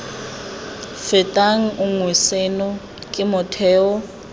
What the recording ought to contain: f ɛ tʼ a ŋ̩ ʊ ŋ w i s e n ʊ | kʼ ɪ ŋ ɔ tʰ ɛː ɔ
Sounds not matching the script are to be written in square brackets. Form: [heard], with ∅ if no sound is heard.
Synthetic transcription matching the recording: f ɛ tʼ a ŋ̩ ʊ ŋ w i s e n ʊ | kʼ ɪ [m] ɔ tʰ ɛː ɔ

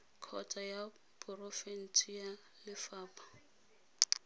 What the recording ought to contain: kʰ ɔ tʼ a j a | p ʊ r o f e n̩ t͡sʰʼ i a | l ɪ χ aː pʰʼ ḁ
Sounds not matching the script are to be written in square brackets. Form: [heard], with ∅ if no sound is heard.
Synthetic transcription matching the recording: kʰ ɔ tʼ a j a | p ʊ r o f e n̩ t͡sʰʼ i a | l ɪ [f] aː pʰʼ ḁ

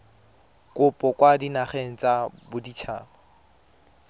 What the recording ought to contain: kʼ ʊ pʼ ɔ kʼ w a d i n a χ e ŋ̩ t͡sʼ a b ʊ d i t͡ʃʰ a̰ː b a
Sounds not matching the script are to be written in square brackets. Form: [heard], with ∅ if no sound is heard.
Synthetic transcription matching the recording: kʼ ʊ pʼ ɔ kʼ w a d i n a χ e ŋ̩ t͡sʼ a b ʊ d i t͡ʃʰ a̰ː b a

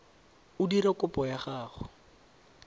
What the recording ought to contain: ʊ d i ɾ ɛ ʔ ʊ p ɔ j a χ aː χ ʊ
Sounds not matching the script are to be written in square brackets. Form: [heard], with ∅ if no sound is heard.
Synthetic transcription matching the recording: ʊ d i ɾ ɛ [k] ʊ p ɔ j a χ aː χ ʊ

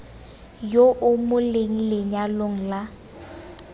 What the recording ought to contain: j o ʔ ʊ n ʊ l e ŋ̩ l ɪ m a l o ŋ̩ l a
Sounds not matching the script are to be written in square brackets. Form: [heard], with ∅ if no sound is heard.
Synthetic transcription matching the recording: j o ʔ ʊ [m] ʊ l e ŋ̩ l ɪ [ɲ] a l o ŋ̩ l a

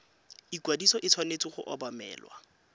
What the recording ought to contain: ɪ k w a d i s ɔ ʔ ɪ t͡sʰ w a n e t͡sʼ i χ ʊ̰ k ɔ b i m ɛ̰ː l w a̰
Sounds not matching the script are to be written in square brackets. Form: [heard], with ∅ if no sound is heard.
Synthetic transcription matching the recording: [i] k w a d i s ɔ ʔ ɪ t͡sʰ w a n e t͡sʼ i χ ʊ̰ [ʔ] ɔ b [a] m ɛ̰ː l w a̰

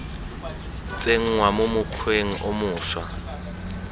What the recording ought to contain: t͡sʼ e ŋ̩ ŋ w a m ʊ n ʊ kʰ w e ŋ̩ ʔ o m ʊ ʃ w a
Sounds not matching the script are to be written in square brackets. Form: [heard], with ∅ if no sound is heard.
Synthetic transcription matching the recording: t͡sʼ e ŋ̩ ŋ w a m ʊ [m] ʊ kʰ w e ŋ̩ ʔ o m [ʊː] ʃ w a

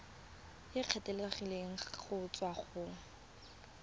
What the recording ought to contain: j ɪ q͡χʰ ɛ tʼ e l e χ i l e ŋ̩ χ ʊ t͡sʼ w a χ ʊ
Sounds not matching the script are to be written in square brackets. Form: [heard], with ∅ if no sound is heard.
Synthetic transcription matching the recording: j ɪ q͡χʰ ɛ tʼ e l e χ i l e ŋ̩ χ ʊ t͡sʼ w a χ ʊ

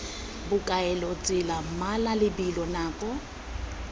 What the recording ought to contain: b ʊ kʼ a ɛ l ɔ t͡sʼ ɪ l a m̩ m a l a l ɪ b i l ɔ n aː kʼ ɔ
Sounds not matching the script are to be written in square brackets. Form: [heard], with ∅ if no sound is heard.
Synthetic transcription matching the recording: b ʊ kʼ a ɛ l ɔ t͡sʼ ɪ l a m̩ m a l a l ɪ b i l ɔ n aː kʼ ɔ

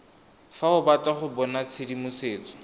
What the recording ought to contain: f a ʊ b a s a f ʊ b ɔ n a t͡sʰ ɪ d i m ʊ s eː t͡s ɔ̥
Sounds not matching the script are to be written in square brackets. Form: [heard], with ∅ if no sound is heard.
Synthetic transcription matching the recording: f a ʊ b a [t] a [χ] ʊ b ɔ n a t͡sʰ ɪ d i m ʊ s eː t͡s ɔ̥

